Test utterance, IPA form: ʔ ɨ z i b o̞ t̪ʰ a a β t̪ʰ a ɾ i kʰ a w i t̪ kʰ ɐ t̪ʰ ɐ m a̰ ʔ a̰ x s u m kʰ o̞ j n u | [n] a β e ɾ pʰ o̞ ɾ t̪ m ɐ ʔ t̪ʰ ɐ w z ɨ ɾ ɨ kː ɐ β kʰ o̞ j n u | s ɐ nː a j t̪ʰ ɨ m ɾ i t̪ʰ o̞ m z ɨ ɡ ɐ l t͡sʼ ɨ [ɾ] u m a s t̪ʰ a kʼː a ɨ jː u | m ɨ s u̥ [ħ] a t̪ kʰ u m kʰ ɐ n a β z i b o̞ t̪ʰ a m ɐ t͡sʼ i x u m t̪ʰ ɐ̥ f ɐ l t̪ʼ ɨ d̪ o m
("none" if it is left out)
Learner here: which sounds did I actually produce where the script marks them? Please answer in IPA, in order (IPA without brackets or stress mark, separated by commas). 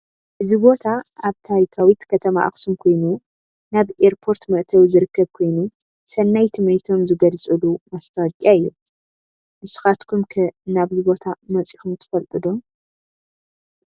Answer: n, l, x